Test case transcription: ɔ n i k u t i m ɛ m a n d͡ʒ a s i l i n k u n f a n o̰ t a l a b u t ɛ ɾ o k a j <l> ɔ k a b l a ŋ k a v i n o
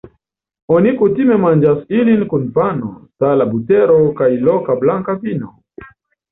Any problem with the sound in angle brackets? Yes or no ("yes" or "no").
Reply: no